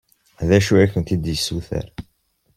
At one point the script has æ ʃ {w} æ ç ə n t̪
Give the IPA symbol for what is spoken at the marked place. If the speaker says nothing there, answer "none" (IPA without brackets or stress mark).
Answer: u